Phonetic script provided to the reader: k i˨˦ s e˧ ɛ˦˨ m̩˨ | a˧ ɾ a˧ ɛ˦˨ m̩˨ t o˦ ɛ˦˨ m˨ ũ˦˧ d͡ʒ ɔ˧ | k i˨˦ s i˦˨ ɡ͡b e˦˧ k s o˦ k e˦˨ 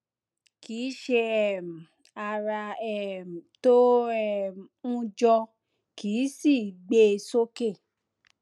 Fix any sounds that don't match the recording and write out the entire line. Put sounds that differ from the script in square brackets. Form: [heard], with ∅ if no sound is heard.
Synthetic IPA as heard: k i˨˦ [ʃ] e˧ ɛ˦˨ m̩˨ | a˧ ɾ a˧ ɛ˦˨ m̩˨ t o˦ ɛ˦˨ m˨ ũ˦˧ d͡ʒ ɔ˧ | k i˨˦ s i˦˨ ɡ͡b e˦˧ [∅] s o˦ k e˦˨